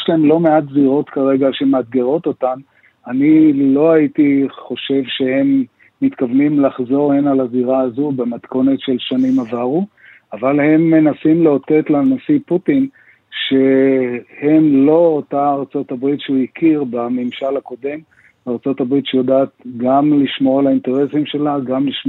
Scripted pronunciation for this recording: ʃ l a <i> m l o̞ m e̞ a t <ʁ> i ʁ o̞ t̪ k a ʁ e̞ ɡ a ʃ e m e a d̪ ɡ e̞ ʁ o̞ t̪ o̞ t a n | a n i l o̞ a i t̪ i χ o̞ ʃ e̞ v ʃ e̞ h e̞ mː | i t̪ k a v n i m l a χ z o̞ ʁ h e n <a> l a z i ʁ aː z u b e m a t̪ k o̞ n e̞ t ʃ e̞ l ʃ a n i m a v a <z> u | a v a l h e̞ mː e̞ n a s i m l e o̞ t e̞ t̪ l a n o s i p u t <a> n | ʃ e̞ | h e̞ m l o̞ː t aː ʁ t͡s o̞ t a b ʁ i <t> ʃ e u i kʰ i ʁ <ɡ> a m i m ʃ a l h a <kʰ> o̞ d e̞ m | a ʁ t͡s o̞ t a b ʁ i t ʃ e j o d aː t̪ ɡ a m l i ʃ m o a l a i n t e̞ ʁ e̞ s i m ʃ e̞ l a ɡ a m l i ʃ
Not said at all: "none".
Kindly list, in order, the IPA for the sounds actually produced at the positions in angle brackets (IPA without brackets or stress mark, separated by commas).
e, z, a, ʁ, i, t, b, k